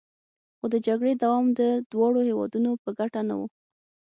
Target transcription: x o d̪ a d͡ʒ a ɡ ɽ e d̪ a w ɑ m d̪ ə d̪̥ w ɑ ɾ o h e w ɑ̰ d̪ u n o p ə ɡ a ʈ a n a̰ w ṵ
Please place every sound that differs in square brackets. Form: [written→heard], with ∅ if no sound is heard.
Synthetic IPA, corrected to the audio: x o d̪ [a→ə] d͡ʒ a ɡ ɽ e d̪ a w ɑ m d̪ ə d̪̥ w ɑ [ɾ→ɽ] o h e w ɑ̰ d̪ u n o p ə ɡ a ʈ a n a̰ w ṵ